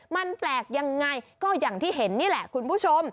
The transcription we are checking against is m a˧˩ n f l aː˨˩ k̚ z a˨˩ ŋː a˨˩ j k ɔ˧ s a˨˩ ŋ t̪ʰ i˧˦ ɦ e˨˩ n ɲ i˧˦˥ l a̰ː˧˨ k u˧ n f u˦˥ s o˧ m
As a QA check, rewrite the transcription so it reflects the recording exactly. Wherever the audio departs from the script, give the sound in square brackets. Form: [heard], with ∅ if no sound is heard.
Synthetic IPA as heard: m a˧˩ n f l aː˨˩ k̚ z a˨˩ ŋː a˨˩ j k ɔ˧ [z] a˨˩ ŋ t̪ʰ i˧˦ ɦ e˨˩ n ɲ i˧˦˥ l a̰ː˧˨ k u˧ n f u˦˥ s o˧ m